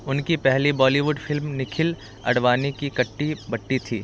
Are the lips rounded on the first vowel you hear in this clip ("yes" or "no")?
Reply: yes